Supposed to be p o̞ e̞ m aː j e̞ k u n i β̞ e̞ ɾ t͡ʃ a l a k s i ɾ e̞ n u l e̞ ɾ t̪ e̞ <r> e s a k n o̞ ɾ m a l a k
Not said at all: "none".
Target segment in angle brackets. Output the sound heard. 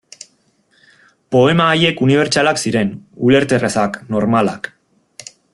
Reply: r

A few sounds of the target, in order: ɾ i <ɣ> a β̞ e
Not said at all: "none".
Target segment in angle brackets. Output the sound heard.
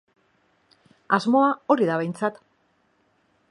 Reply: ð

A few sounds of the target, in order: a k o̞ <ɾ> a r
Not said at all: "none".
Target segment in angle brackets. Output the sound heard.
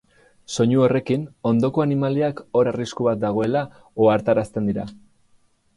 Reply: ɾ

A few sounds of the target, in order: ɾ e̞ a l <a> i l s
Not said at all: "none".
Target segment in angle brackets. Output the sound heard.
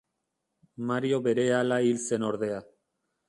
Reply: a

